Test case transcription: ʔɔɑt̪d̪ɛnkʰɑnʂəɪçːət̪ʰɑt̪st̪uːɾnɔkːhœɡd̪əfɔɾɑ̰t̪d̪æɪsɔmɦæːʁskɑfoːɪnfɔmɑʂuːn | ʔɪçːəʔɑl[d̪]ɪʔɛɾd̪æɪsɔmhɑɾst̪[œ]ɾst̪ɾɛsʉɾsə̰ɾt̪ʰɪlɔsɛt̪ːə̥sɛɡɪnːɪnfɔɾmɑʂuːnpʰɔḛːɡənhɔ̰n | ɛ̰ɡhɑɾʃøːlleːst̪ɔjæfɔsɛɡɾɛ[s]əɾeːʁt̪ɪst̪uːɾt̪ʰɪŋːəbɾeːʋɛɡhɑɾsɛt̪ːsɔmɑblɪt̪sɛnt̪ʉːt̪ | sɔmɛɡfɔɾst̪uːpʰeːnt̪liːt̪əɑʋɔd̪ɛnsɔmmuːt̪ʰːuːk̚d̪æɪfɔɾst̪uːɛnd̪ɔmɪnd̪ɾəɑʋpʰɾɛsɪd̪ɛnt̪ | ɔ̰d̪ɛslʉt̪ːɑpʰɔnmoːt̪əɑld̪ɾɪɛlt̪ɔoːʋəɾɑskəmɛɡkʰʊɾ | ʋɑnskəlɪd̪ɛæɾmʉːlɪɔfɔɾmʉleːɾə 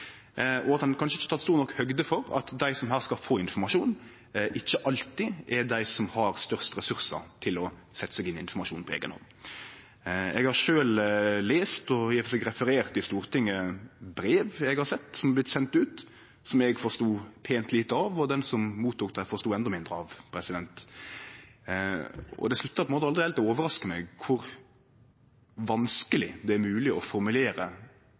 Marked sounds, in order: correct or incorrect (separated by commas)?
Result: incorrect, correct, incorrect